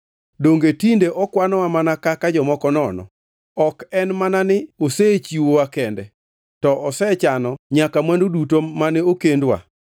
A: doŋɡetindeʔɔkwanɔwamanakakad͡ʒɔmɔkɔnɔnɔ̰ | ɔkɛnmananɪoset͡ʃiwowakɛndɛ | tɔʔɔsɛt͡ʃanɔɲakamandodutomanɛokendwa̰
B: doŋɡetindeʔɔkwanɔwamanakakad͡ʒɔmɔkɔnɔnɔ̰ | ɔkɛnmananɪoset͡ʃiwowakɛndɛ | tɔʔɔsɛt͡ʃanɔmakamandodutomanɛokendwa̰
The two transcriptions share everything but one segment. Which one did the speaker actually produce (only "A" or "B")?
A